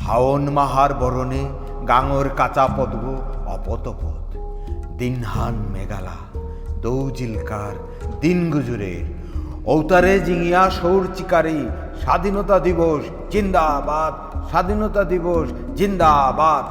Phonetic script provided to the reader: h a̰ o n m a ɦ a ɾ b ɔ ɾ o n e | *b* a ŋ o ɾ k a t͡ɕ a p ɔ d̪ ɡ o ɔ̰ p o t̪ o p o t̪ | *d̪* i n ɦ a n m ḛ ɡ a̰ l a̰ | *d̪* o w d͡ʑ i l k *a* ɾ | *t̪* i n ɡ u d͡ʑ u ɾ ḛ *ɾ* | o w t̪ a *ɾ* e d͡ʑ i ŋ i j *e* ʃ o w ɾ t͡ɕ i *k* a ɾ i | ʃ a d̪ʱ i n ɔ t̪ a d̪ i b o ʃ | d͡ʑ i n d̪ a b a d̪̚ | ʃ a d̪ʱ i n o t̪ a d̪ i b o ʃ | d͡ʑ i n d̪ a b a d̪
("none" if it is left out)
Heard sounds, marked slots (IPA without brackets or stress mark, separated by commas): ɡ, d̪, d̪, a, d̪, ɾ, ɾ, a, k